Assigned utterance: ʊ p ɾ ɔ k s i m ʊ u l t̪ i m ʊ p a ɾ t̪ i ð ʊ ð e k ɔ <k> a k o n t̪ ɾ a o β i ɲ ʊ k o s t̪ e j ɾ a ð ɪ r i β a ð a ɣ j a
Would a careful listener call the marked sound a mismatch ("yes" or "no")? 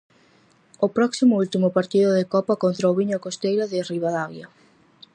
yes